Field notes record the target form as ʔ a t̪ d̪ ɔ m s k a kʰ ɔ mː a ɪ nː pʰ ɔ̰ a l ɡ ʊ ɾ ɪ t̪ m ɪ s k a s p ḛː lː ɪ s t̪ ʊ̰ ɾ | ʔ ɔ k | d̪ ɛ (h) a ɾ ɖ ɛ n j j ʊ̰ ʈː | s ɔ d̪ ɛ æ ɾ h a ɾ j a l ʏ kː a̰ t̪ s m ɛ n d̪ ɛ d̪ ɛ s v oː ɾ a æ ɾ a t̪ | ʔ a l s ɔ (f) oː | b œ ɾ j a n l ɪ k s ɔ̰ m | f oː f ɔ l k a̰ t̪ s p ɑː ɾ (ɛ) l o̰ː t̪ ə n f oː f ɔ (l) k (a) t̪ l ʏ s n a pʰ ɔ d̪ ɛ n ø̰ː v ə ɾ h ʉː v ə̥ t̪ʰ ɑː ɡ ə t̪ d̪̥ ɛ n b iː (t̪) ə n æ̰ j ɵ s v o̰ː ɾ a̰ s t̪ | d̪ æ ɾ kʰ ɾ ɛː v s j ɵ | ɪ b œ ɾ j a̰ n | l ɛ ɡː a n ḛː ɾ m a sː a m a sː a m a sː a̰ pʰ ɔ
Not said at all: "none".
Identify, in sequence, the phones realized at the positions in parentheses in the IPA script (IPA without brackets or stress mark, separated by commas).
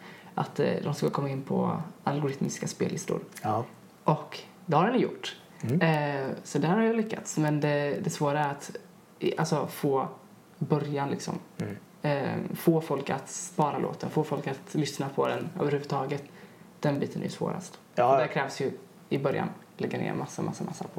h, f, a, l, a, t̪